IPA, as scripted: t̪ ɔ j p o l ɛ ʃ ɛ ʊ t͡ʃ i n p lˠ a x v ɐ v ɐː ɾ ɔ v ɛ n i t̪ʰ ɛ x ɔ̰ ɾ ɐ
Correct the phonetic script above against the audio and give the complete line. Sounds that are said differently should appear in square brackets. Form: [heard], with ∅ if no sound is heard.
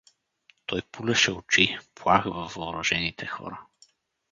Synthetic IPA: t̪ ɔ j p [u] l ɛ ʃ ɛ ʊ t͡ʃ i [∅] p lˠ a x v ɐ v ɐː ɾ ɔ [ʒ] ɛ n i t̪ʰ ɛ x ɔ̰ ɾ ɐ